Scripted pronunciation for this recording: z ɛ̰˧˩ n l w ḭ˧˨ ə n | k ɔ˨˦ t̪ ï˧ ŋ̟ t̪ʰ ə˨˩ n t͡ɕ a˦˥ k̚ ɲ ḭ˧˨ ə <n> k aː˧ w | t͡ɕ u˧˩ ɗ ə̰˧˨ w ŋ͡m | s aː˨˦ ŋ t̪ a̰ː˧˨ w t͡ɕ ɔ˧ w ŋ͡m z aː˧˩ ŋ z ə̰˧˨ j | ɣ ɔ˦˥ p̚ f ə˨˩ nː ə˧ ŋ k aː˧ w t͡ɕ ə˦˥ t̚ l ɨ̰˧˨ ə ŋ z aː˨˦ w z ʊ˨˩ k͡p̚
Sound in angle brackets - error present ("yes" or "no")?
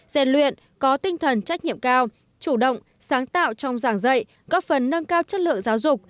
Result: yes